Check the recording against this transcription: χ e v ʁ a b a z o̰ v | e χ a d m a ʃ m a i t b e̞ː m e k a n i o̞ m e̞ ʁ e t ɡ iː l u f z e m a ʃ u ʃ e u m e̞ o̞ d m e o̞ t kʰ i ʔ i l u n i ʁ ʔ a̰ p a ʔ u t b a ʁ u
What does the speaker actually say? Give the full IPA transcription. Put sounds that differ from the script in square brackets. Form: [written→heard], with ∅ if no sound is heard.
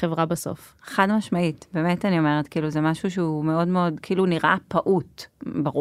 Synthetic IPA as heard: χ e v ʁ a b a [z→s] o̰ [v→f] | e χ a d m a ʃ m a i t b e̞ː m e [k→t] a n i o̞ m e̞ ʁ e t [ɡ→k] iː l u [f→∅] z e m a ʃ u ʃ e u m e̞ o̞ d m e o̞ [t→d] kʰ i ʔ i l u n i ʁ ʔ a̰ p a ʔ u t b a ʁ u